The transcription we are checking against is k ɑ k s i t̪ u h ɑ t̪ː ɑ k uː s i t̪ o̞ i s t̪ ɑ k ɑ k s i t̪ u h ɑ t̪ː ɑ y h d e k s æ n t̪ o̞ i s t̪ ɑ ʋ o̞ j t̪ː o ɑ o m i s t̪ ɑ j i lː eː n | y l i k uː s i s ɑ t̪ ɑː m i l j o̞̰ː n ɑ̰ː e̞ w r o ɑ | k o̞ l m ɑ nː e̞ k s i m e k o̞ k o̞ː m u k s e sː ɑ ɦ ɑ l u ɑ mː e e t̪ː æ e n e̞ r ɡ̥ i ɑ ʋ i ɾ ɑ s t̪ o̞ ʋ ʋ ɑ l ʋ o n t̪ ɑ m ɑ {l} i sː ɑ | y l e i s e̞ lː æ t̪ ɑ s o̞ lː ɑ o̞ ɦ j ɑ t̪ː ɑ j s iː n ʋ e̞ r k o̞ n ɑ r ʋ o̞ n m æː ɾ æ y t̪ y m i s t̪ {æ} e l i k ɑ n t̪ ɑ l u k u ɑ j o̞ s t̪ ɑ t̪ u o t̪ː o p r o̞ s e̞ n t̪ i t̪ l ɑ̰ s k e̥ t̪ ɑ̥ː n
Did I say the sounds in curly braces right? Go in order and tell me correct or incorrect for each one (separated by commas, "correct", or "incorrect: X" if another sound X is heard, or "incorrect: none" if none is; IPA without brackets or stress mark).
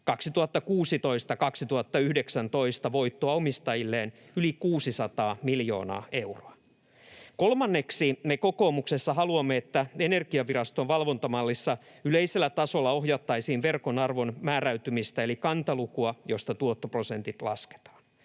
incorrect: lː, correct